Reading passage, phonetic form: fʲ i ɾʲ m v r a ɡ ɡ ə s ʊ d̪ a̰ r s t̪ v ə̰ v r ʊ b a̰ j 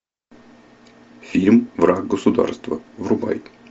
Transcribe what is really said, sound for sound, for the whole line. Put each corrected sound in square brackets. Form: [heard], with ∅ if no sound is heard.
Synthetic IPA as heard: fʲ i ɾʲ m v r a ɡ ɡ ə s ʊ d̪ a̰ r s t̪ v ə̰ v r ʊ b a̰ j